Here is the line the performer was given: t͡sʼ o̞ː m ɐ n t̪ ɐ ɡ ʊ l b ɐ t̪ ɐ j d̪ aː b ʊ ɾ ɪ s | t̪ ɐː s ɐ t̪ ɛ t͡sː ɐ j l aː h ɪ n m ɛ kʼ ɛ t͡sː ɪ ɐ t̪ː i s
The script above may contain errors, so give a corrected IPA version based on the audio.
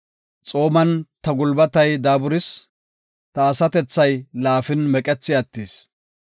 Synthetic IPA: t͡sʼ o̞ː m ɐ n t̪ ɐ ɡ ʊ l b ɐ t̪ ɐ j d̪ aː b ʊ ɾ ɪ s | t̪ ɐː s ɐ t̪ ɛ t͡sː ɐ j l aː f ɪ n m ɛ kʼ ɛ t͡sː ɪ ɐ t̪ː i s